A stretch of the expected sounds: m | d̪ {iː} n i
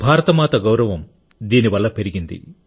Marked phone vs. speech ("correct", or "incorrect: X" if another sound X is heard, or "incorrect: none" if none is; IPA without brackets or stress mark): correct